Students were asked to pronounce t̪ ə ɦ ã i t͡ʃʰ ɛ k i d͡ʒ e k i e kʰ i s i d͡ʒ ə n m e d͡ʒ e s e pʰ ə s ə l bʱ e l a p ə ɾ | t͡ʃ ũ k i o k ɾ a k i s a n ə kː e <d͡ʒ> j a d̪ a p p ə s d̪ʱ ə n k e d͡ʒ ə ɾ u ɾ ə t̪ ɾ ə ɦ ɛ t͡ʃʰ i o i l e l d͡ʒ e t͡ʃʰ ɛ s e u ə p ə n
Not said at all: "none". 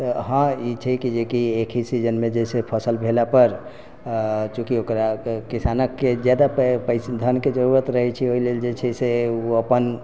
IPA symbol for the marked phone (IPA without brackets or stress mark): d͡ʒ